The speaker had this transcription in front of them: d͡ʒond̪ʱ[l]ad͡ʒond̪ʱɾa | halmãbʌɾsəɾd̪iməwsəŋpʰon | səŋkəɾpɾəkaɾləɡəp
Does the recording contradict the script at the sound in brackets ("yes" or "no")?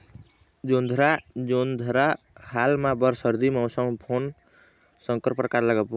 yes